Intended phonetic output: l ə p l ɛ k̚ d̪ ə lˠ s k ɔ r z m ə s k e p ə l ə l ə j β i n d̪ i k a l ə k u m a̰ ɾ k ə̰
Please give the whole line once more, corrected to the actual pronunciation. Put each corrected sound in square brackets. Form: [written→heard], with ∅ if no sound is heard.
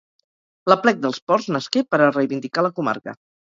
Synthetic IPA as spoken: l ə p l ɛ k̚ d̪ ə lˠ s [k→p] ɔ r z [m→n] ə s k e p ə [l→ɾ] ə [l→r] ə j β i n d̪ i k a l ə k u m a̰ ɾ k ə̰